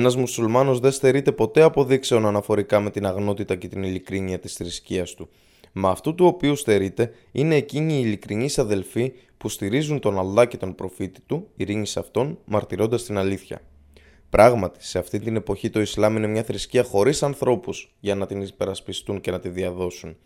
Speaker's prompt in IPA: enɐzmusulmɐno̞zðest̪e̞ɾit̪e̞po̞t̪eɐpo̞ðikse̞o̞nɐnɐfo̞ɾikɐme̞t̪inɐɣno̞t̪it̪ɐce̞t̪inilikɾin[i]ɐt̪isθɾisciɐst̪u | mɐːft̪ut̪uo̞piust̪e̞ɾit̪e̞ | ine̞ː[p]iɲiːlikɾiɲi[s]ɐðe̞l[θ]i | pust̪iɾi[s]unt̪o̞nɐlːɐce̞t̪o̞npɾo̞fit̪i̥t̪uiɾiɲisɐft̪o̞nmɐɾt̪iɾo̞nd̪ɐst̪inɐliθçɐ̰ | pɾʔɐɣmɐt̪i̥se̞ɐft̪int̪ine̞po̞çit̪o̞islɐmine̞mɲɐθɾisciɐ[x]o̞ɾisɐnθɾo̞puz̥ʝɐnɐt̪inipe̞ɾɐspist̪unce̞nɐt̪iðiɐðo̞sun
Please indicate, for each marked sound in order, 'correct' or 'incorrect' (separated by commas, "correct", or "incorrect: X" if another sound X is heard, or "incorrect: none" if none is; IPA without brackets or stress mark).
correct, incorrect: c, correct, incorrect: f, incorrect: z, correct